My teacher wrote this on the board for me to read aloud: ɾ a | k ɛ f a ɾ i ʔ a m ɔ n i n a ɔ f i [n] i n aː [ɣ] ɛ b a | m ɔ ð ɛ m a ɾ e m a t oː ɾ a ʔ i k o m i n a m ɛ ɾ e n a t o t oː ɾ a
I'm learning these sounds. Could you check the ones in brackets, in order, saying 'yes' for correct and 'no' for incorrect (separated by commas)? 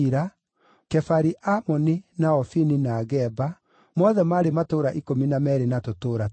yes, yes